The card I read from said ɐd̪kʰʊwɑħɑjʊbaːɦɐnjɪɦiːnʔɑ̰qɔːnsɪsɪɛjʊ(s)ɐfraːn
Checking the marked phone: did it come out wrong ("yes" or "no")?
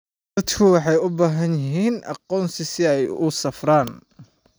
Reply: no